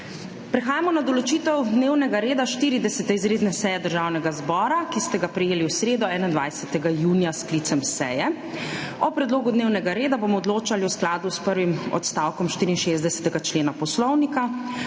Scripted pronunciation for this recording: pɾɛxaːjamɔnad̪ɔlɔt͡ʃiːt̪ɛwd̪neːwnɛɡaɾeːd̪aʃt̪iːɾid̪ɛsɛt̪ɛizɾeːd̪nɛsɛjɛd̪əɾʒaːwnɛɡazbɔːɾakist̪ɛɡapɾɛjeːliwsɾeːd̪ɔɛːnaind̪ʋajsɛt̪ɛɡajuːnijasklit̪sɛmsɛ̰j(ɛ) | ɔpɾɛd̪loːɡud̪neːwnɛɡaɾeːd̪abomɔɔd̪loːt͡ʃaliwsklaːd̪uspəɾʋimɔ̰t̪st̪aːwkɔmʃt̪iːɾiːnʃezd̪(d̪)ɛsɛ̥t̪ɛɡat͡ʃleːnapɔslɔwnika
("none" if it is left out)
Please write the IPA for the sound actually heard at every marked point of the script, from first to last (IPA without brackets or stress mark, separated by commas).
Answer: ɛ, d̪